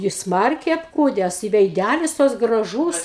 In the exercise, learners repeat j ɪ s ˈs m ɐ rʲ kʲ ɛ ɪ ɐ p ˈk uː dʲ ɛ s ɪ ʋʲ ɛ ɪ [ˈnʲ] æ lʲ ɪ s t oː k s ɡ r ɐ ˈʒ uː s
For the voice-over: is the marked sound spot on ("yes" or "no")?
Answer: no